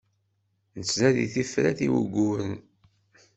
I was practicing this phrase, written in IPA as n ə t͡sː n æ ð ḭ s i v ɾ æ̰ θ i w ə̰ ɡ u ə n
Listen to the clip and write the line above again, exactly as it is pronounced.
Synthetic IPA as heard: n ə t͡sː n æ ð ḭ θ i f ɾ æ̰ θ i w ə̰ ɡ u ə n